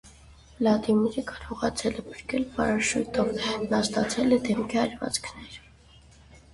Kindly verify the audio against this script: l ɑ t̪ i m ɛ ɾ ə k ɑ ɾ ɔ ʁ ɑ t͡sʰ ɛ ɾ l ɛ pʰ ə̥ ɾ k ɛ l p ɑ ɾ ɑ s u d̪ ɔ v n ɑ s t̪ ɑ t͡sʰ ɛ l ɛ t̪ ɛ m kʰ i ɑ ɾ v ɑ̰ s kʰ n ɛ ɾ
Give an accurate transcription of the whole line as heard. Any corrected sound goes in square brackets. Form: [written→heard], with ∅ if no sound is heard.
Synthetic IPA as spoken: l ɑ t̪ i m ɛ ɾ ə k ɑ ɾ ɔ ʁ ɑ t͡sʰ ɛ [ɾ→∅] l ɛ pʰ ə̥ ɾ k ɛ l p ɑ ɾ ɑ [s→ʃ] u [d̪→t̪] ɔ v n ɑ s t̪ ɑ t͡sʰ ɛ l ɛ [t̪→d̪] ɛ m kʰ i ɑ ɾ v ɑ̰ [s→t͡s] kʰ n ɛ ɾ